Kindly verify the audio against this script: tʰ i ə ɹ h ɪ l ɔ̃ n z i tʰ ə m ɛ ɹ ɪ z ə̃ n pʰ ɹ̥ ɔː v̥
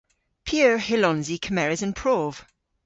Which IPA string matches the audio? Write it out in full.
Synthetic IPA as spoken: pʰ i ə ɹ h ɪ l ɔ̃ n z i kʰ ə m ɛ ɹ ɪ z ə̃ n pʰ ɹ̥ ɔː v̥